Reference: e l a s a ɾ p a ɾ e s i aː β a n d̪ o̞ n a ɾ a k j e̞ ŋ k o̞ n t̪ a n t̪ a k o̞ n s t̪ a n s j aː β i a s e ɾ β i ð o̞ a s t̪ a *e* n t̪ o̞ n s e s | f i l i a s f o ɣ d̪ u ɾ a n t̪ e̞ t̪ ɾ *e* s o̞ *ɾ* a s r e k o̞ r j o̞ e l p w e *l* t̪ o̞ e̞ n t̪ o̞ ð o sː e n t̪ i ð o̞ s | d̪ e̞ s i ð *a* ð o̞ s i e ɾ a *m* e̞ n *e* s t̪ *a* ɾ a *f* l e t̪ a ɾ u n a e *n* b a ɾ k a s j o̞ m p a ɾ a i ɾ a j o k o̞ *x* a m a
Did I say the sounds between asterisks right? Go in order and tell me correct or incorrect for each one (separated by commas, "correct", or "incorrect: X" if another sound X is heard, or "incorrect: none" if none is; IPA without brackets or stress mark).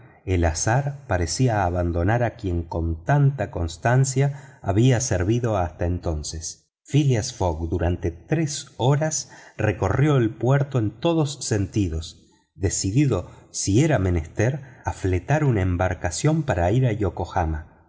correct, correct, correct, incorrect: ɾ, incorrect: i, correct, correct, incorrect: e, correct, incorrect: m, correct